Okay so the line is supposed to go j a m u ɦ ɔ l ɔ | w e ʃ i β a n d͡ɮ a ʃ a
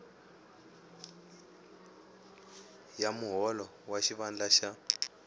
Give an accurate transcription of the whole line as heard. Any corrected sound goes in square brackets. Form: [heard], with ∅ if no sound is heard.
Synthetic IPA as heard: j a m u ɦ ɔ l ɔ | w [a] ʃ i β a n d͡ɮ a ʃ a